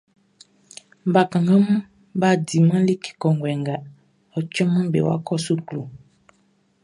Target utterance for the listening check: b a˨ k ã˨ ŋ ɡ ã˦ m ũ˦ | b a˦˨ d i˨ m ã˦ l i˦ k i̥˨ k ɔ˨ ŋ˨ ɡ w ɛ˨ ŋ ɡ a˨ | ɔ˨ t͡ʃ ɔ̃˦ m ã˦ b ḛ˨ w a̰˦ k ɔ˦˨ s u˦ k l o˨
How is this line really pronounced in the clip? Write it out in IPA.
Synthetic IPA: b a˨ k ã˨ ŋ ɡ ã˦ m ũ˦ | b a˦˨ d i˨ m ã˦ l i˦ k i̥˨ k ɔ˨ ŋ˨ ɡ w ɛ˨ ŋ ɡ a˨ | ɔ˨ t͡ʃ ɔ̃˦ m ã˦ b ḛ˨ w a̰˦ k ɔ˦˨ s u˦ k l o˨